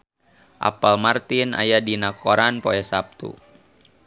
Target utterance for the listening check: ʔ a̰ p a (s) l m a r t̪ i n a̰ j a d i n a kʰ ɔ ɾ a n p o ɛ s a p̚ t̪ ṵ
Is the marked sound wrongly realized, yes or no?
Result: yes